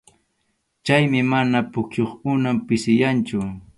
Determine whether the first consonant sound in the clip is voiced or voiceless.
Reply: voiceless